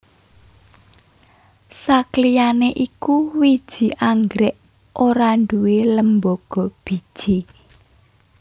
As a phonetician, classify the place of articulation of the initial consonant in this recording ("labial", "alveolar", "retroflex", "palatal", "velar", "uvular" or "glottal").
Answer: alveolar